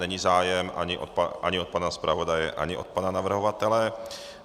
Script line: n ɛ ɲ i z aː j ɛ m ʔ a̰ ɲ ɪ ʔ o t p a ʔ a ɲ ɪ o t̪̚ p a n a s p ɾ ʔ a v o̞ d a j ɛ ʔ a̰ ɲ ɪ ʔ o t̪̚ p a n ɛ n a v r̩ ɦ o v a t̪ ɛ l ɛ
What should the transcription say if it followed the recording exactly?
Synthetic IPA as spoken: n ɛ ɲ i z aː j ɛ m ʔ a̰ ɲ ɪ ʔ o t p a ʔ a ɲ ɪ o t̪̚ p a n a s p ɾ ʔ a v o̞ d a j ɛ ʔ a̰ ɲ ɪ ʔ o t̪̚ p a n a n a v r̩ ɦ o v a t̪ ɛ l ɛ